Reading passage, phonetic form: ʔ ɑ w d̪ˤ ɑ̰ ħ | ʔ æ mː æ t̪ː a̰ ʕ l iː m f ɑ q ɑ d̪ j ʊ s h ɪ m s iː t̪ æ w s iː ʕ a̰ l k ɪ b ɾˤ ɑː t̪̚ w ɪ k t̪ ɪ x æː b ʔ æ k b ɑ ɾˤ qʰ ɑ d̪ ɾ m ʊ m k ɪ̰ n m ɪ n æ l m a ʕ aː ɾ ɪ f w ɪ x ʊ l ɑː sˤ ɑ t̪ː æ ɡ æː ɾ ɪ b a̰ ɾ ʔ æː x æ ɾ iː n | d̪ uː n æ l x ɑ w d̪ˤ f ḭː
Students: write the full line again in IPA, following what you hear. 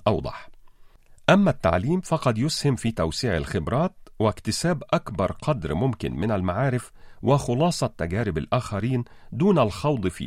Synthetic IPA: ʔ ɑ w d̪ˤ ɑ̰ ħ | ʔ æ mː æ t̪ː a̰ ʕ l iː m f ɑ q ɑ d̪ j ʊ s h ɪ m f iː t̪ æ w s iː ʕ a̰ l x ɪ b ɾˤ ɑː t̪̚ w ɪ k t̪ ɪ s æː b ʔ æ k b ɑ ɾˤ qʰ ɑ d̪ ɾ m ʊ m k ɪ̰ n m ɪ n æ l m a ʕ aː ɾ ɪ f w ɪ x ʊ l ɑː sˤ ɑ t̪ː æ ɡ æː ɾ ɪ b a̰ l ʔ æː x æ ɾ iː n | d̪ uː n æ l x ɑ w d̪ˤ f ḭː